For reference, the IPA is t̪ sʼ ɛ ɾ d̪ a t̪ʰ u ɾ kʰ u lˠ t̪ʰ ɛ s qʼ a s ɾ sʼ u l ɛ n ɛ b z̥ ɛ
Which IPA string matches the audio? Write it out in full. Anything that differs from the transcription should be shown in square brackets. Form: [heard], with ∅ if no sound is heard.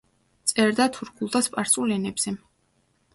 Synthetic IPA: t̪ sʼ ɛ ɾ d̪ a t̪ʰ u ɾ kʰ u lˠ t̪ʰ [a] s [pʼ] a [∅] ɾ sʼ u l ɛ n ɛ b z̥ ɛ